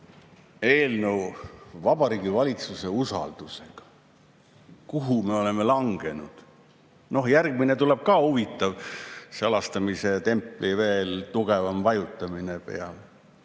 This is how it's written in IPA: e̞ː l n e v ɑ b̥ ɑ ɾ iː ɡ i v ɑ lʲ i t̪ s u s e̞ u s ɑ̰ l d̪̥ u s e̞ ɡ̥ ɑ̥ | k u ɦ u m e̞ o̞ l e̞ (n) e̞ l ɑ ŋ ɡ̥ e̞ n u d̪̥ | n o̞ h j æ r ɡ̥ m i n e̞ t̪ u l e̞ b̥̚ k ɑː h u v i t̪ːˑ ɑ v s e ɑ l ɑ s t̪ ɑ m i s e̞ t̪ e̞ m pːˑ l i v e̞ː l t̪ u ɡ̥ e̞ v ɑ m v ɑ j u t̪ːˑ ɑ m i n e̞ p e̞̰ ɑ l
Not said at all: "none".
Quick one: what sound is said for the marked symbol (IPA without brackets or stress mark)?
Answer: m